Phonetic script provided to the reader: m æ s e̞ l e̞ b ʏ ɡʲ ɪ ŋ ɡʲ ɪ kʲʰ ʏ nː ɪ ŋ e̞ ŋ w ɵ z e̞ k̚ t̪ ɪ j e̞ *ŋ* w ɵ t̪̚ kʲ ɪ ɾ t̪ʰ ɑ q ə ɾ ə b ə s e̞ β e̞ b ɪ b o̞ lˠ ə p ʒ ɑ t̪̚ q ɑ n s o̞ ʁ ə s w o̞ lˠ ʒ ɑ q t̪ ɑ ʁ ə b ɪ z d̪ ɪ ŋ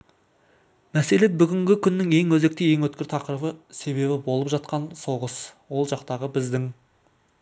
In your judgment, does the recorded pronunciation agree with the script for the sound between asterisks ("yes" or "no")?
yes